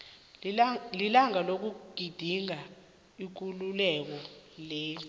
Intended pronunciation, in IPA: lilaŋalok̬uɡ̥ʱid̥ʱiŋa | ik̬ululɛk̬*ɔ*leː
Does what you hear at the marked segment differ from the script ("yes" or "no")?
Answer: no